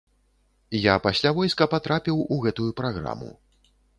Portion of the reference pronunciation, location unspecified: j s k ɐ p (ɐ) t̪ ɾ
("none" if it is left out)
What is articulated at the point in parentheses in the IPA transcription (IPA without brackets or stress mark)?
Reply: a